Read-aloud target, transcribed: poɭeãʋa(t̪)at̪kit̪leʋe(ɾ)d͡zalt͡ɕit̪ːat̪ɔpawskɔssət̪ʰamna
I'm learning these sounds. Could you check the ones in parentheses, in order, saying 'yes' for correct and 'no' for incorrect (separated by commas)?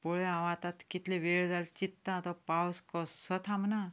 yes, no